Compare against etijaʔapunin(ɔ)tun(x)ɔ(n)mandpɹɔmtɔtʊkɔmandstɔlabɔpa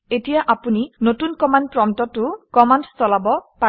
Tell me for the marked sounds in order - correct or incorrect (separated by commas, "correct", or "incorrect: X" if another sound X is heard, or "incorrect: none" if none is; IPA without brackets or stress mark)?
incorrect: o, incorrect: k, incorrect: none